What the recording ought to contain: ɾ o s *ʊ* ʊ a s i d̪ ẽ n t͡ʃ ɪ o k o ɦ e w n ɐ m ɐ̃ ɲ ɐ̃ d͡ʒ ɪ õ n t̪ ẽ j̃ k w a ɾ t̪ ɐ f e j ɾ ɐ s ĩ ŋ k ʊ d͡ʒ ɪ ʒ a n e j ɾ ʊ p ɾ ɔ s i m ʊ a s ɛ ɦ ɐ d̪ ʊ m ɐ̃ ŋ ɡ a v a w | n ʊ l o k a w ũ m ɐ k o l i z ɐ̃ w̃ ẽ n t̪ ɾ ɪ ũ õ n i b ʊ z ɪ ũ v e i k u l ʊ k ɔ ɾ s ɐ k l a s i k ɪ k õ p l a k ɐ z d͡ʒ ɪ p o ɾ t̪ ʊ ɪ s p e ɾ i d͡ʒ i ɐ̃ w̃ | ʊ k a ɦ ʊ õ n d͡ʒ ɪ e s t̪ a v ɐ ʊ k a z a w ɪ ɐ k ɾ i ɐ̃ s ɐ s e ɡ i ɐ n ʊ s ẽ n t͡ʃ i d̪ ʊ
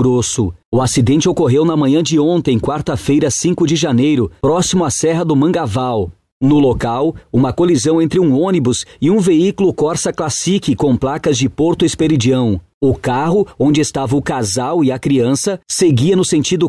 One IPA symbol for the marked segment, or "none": ʊ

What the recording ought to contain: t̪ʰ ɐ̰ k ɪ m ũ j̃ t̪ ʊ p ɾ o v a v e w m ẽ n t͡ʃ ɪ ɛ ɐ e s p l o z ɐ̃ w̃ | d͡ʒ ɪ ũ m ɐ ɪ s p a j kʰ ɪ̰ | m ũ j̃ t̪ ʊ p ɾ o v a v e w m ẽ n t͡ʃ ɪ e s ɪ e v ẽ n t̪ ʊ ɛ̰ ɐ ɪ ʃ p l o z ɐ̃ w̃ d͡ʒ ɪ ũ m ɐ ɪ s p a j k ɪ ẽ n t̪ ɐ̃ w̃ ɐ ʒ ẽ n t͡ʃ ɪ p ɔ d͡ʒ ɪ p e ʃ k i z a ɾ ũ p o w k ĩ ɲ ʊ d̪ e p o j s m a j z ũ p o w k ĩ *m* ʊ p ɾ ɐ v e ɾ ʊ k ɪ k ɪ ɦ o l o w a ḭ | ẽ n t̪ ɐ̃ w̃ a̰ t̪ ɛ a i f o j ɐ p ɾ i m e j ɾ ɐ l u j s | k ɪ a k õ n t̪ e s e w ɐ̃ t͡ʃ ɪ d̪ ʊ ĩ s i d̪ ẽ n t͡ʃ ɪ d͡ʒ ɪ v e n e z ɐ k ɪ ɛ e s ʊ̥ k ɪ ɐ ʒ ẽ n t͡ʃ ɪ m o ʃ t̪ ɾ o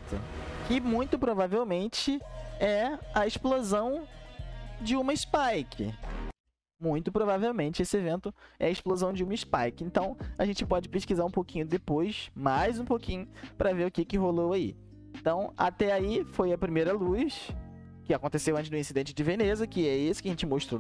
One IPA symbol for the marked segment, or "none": ɲ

